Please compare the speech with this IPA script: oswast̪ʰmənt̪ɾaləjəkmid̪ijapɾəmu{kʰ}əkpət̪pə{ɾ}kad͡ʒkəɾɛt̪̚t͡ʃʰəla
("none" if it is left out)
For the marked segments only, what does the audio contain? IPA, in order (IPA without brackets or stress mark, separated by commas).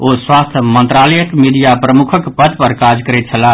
kʰ, ɾ